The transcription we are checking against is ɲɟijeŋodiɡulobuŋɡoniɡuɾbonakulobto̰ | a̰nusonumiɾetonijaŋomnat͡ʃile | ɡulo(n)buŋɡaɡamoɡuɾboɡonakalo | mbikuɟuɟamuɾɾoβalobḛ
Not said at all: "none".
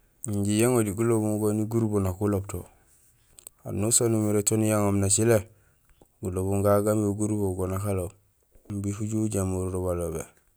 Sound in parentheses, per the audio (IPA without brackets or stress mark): none